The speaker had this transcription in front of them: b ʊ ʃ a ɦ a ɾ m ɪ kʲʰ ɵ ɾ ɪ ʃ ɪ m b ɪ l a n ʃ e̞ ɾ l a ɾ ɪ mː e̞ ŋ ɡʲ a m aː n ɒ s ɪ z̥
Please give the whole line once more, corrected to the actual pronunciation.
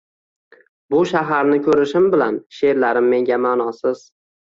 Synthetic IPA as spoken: b ʊ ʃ a ɦ a ɾ n ɪ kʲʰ ɵ ɾ ɪ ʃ ɪ m b ɪ l a n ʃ e̞ ɾ l a ɾ ɪ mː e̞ ŋ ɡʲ a m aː n ɒ s ɪ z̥